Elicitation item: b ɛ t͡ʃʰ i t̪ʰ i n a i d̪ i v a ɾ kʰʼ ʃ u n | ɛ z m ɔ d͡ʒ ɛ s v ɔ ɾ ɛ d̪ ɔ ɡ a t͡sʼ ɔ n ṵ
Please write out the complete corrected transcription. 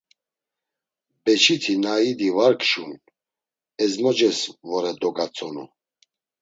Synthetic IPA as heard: b ɛ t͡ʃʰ i t̪ʰ i n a i d̪ i v a ɾ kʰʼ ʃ u n | ɛ z m ɔ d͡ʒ ɛ s v ɔ ɾ ɛ d̪ ɔ ɡ a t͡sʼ ɔ n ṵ